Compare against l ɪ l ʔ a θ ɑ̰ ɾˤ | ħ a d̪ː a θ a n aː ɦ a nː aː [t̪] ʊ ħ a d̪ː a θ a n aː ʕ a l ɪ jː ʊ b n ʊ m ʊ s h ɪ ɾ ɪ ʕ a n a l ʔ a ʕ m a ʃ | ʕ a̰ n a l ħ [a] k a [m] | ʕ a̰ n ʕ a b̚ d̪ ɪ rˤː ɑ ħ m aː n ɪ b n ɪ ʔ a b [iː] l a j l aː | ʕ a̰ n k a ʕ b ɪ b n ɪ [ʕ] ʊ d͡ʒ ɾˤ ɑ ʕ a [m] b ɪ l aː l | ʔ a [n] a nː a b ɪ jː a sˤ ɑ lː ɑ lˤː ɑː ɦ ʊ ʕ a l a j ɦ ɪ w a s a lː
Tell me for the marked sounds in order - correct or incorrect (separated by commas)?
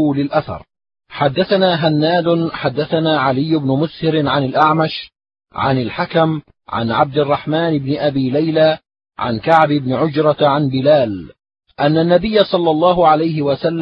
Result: incorrect, correct, correct, correct, correct, incorrect, incorrect